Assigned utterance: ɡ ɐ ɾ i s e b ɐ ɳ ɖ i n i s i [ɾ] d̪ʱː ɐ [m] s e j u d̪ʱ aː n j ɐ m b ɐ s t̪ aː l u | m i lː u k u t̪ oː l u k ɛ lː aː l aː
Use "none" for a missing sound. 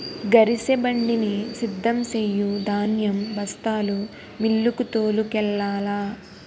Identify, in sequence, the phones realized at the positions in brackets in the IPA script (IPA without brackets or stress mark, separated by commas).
none, m